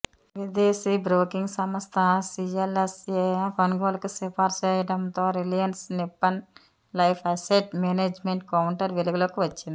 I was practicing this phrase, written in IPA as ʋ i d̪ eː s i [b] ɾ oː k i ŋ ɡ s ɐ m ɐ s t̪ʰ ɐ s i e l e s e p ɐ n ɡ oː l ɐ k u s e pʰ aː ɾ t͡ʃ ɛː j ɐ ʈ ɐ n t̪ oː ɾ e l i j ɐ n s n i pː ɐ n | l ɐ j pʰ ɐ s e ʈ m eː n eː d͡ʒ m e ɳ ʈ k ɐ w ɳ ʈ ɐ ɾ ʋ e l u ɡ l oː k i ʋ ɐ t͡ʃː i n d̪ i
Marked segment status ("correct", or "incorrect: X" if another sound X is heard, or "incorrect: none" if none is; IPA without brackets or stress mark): correct